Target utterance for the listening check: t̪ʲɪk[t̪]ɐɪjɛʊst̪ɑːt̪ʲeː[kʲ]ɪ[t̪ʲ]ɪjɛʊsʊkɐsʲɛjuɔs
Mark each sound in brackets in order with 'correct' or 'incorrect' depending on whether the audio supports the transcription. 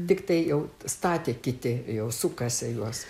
correct, correct, correct

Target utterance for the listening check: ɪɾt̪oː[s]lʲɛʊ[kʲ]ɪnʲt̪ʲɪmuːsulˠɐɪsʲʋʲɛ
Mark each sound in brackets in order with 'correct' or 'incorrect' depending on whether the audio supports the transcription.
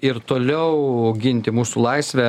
incorrect: none, incorrect: ɡʲ

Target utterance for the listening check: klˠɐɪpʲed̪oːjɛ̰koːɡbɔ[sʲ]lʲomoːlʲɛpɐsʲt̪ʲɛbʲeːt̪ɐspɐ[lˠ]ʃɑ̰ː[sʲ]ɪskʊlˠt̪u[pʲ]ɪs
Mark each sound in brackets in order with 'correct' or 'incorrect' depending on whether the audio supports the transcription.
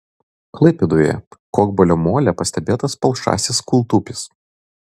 incorrect: none, correct, correct, correct

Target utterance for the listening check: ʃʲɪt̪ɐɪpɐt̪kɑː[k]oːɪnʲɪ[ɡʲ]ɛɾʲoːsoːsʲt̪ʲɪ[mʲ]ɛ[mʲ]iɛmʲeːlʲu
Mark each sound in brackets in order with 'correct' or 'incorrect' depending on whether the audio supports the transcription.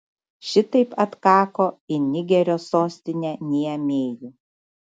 correct, correct, incorrect: nʲ, incorrect: nʲ

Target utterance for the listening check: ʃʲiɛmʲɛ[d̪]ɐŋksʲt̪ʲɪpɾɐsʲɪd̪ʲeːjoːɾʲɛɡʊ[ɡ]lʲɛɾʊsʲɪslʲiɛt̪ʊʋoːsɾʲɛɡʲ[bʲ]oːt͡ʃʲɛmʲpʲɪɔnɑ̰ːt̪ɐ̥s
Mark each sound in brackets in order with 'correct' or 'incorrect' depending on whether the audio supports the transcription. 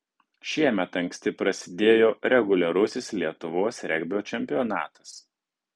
incorrect: t̪, incorrect: none, correct

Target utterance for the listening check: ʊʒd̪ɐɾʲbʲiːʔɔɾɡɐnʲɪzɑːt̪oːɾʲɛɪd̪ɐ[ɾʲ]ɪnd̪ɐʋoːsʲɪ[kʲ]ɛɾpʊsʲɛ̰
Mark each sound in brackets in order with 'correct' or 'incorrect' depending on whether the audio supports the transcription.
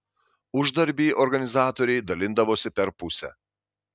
incorrect: lʲ, incorrect: pʲ

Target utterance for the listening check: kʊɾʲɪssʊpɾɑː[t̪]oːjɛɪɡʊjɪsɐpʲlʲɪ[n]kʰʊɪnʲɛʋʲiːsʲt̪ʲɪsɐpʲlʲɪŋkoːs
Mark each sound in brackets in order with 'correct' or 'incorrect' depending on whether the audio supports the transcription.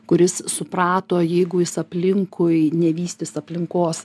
correct, incorrect: ŋ

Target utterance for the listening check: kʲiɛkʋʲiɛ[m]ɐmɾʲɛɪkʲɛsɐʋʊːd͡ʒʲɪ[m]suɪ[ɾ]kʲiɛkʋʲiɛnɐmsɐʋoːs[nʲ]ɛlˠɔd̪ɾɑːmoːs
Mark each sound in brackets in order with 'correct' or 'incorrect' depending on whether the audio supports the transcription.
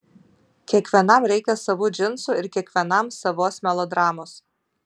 incorrect: n, incorrect: n, correct, incorrect: mʲ

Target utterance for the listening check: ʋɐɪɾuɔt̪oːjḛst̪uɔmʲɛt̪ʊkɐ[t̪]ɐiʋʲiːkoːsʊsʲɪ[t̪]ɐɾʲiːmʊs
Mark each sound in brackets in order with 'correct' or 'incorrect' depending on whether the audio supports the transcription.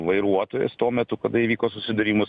incorrect: d̪, incorrect: d̪

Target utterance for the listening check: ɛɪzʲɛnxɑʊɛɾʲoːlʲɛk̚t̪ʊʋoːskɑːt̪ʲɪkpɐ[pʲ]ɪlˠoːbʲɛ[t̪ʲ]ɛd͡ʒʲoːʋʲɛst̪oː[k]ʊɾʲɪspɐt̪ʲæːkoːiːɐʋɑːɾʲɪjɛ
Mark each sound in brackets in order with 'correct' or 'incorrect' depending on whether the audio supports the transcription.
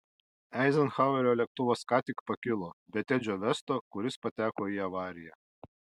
incorrect: kʲ, correct, correct

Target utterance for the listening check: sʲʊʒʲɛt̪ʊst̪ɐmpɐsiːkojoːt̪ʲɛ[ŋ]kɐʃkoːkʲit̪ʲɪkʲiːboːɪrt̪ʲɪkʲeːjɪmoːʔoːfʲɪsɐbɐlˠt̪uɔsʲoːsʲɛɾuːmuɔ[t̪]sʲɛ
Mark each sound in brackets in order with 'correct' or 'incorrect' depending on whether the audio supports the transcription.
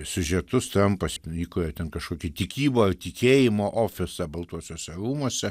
incorrect: n, incorrect: none

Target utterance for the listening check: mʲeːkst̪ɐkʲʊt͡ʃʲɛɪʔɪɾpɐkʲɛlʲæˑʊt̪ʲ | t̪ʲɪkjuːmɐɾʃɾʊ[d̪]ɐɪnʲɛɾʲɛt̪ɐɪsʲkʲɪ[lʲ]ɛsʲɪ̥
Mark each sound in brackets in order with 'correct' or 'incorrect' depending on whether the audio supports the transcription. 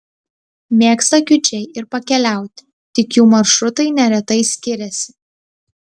incorrect: t̪, incorrect: ɾʲ

